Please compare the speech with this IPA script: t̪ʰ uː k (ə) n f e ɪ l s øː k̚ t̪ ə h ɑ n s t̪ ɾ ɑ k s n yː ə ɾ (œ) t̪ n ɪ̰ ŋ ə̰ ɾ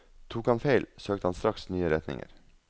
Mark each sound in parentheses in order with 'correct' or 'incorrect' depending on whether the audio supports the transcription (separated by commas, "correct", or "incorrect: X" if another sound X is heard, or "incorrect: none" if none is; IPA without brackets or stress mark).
incorrect: ɑ, incorrect: ɛ